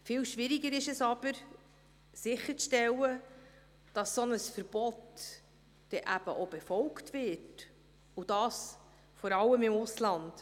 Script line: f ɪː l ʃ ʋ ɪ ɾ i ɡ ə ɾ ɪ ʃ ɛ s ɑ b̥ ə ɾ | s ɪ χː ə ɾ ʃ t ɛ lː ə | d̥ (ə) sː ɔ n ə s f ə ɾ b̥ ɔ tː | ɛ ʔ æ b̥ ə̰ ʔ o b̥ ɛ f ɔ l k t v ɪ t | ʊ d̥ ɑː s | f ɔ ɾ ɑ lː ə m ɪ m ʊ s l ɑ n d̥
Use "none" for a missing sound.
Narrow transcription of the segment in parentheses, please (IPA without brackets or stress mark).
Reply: ɑ